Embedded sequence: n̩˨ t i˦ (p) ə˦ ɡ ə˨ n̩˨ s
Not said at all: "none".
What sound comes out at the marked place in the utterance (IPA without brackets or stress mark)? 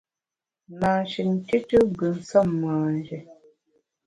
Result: t